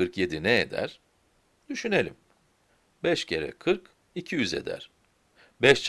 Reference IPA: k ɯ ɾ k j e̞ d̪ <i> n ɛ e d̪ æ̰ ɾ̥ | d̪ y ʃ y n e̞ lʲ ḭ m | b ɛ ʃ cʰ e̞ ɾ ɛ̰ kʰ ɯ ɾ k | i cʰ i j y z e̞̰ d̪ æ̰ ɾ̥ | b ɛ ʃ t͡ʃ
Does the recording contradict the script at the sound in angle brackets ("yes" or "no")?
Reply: no